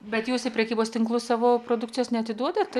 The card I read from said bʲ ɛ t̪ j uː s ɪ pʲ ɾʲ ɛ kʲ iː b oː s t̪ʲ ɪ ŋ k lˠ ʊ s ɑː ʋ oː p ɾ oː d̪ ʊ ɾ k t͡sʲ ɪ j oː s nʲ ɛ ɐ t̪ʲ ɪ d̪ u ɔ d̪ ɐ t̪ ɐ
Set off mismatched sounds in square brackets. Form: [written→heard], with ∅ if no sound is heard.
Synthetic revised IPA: bʲ ɛ t̪ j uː s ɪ pʲ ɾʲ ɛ kʲ iː b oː s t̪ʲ ɪ ŋ k lˠ ʊ s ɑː ʋ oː p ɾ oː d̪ ʊ [ɾ→∅] k t͡sʲ ɪ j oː s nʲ ɛ ɐ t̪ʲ ɪ d̪ u ɔ d̪ ɐ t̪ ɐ